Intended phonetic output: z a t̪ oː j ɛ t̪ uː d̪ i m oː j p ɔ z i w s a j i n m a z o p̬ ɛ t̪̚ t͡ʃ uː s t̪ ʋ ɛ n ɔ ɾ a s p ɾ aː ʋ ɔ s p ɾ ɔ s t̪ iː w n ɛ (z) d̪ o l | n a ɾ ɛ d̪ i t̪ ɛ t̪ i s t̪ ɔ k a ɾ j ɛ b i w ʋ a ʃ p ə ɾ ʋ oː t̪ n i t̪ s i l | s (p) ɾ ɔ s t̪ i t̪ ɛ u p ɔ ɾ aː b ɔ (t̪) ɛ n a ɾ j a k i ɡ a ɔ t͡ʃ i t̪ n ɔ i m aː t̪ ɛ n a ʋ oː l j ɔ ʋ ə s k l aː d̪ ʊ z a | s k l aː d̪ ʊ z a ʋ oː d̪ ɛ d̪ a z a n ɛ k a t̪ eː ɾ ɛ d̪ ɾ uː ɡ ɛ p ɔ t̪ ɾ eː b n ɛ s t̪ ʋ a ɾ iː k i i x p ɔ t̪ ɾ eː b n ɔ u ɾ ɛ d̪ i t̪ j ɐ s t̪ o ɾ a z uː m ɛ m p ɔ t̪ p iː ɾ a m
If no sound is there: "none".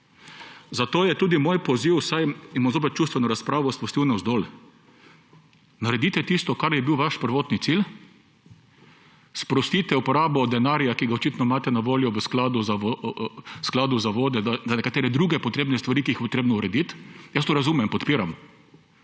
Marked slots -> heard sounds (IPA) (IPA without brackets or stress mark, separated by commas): z, p, d̪